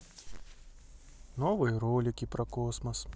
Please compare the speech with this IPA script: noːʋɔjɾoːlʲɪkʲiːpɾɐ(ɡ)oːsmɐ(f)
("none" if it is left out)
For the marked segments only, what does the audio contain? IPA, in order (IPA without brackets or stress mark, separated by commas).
k, s